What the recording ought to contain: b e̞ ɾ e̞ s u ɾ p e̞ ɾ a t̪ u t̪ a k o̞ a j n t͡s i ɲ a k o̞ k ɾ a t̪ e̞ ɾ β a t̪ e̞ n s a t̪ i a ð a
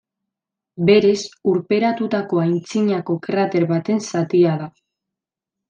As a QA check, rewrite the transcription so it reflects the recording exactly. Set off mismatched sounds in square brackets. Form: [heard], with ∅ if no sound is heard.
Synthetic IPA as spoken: b e̞ ɾ e̞ s u ɾ p e̞ ɾ a t̪ u t̪ a k o̞ a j n t͡s i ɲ a k o̞ k ɾ a t̪ e̞ ɾ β a t̪ e̞ n s a t̪ i a ð a